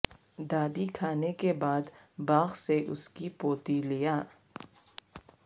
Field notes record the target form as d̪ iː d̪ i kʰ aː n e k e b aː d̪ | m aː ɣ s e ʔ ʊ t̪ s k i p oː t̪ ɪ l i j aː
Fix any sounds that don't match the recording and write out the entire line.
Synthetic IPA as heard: d̪ aː d̪ i kʰ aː n e k e b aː d̪ | b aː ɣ s e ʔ ʊ s k i p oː t̪ i l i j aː